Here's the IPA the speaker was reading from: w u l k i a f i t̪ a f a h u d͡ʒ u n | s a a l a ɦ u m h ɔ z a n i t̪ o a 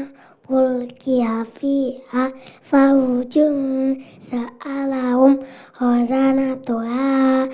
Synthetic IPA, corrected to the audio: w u l k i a f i a f a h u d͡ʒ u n | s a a l a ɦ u m h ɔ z a n a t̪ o a